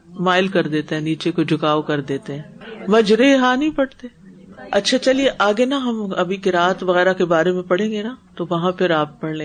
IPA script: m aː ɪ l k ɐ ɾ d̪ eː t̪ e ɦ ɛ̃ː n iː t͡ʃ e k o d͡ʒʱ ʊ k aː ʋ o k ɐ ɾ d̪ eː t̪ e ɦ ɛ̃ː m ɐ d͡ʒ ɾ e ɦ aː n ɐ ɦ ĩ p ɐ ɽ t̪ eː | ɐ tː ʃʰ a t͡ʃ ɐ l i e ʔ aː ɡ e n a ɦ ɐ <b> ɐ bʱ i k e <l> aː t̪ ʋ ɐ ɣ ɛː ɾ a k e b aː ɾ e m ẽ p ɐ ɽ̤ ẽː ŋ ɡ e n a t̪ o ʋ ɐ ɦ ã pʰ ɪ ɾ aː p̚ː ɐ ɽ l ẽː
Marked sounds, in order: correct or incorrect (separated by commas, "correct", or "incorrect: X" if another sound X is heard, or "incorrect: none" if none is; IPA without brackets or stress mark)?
incorrect: m, incorrect: ɾ